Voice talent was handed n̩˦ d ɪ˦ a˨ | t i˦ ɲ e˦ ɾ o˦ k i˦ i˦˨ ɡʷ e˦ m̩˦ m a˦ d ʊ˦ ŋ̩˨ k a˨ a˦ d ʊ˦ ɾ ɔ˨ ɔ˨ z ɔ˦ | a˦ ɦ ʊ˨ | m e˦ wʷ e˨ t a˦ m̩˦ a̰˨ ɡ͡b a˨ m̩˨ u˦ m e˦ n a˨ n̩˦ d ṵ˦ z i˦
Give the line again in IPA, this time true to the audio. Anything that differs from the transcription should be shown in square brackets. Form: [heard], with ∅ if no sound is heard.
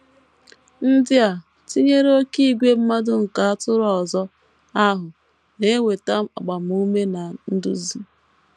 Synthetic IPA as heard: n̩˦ d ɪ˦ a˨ | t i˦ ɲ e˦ ɾ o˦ k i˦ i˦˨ ɡʷ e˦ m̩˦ m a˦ d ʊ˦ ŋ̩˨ k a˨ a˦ [t] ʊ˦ ɾ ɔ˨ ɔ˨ z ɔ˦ | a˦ ɦ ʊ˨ | [n] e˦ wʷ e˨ t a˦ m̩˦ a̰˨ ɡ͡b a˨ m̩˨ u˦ m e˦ n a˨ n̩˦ d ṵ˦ z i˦